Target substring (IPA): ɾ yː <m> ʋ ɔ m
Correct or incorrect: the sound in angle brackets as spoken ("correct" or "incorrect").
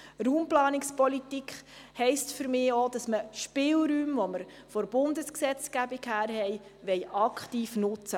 correct